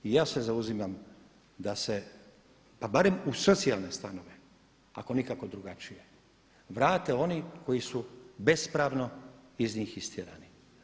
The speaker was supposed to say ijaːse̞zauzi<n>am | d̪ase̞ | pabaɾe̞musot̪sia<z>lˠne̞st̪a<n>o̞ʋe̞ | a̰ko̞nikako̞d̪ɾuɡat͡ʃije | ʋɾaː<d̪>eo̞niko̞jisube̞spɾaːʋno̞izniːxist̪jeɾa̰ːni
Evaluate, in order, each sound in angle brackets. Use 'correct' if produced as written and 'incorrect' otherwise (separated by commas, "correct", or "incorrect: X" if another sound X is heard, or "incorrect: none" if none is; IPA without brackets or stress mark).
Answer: incorrect: m, incorrect: none, correct, incorrect: t̪